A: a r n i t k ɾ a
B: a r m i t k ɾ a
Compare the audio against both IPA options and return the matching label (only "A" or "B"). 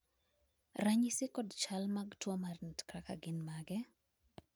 A